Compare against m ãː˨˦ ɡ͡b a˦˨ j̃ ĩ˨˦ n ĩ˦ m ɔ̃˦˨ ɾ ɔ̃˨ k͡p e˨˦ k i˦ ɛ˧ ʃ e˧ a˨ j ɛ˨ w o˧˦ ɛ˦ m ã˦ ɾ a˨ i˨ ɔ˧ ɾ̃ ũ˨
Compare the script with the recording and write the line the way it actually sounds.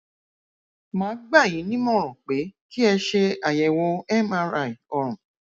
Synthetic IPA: m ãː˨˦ ɡ͡b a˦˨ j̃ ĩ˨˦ n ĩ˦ m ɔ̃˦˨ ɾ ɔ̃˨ k͡p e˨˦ k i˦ ɛ˧ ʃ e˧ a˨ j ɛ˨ w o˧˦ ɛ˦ m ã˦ ɾ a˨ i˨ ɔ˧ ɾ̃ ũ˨